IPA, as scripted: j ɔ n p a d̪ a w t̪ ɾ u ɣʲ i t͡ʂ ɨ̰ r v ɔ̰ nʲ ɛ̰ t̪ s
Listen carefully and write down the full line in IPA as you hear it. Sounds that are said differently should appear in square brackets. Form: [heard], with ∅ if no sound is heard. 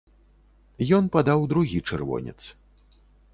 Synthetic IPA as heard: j ɔ n p a d̪ a w [d̪] ɾ u ɣʲ i t͡ʂ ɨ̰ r v ɔ̰ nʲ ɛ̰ t̪ s